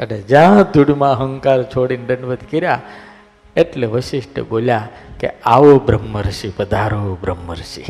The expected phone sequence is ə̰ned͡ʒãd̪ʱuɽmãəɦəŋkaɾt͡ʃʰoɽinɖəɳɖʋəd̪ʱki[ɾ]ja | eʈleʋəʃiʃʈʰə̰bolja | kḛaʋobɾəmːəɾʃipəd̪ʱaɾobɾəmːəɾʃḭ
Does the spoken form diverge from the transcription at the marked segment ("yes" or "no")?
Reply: no